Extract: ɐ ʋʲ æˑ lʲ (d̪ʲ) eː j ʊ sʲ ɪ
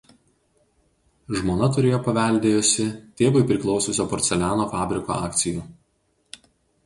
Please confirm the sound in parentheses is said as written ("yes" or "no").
yes